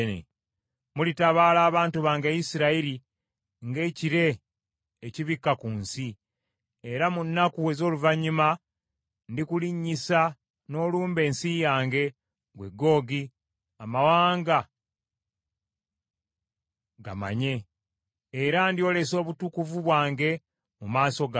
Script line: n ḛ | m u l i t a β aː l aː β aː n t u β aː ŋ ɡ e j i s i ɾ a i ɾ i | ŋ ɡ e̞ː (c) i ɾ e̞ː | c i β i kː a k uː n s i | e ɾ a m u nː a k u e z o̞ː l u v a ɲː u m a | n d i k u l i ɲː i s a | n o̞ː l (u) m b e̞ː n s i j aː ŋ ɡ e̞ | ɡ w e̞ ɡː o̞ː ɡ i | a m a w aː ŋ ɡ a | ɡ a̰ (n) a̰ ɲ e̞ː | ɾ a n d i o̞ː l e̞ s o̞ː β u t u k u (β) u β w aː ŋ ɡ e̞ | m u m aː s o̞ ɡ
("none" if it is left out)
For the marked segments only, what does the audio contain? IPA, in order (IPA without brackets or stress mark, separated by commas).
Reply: c, uː, m, v